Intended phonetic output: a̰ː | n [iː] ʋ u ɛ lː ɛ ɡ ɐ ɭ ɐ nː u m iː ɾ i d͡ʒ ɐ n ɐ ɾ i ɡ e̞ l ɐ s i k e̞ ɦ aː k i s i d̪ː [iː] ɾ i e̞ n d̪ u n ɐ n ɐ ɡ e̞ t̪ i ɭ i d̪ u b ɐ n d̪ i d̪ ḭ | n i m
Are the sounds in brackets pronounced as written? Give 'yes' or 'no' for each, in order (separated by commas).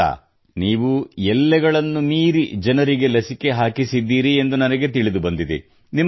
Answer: yes, yes